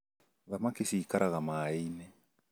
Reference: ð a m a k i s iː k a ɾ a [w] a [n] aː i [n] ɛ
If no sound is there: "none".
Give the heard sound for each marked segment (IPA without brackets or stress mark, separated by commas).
ɣ, m, n